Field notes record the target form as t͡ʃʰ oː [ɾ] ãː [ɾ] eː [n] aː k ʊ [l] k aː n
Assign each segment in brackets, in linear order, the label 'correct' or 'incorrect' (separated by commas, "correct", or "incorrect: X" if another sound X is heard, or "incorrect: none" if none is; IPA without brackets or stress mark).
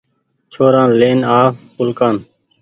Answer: correct, incorrect: l, correct, correct